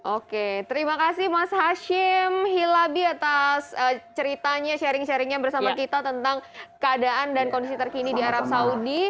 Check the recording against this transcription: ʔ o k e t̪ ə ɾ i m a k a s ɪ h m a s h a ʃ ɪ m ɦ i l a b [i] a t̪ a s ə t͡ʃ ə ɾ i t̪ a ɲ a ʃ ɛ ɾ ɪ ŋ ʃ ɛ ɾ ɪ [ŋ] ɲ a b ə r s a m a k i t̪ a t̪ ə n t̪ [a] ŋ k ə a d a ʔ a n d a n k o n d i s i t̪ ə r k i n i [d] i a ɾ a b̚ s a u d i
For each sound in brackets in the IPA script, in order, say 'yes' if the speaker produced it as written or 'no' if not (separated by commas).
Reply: yes, yes, yes, yes